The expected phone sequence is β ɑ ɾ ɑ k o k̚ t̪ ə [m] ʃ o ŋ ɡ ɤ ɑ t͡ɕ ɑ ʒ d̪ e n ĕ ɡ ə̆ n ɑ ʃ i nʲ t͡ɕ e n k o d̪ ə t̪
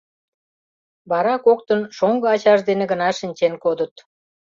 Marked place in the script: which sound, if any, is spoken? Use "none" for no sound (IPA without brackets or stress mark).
n